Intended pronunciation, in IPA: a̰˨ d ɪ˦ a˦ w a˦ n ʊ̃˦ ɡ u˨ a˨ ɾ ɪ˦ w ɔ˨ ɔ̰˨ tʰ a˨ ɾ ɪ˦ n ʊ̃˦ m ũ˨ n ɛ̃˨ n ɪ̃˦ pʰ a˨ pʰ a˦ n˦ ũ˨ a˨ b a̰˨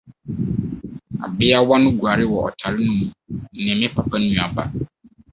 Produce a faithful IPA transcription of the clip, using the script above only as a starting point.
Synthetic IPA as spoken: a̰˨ b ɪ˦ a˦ w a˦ n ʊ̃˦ ɡ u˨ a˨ ɾ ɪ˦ w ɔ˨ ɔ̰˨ tʰ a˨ ɾ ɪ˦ n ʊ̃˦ m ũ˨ n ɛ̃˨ m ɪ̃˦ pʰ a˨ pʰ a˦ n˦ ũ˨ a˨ b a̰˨